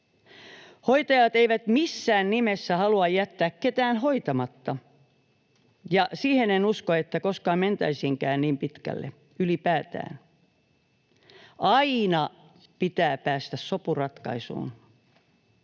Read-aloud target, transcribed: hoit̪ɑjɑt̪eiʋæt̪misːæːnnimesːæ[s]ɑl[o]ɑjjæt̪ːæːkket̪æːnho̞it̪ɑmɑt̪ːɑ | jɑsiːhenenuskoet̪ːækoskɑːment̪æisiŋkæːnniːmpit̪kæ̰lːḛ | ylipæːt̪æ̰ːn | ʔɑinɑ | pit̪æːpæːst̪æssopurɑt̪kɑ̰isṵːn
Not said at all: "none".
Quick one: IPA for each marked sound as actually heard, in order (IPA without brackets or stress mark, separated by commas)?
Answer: h, u